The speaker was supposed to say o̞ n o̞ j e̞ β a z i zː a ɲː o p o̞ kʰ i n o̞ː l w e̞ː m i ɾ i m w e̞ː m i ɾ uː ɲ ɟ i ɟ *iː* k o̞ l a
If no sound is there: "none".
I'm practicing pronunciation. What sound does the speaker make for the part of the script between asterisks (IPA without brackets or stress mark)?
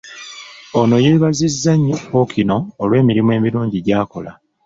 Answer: aː